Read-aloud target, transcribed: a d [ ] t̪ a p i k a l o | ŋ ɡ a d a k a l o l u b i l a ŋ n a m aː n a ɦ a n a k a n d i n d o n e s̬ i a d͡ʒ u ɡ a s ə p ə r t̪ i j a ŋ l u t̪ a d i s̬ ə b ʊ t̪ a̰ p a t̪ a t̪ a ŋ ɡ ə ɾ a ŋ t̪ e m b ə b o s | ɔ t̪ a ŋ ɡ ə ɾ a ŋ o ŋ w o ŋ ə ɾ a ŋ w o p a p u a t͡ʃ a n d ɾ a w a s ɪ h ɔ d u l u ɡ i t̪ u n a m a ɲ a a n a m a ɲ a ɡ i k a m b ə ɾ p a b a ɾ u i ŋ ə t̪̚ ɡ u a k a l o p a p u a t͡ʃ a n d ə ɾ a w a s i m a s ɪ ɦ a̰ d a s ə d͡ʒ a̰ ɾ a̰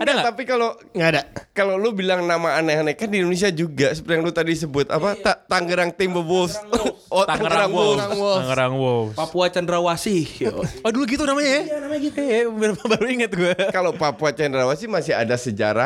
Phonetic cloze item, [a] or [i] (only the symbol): a